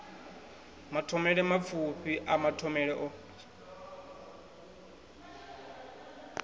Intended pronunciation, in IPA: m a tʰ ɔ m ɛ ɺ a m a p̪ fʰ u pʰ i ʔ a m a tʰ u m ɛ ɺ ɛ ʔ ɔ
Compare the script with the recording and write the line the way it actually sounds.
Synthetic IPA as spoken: m a tʰ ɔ m ɛ ɺ ɛ m a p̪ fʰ u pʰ i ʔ a m a tʰ ɔ m ɛ ɺ ɛ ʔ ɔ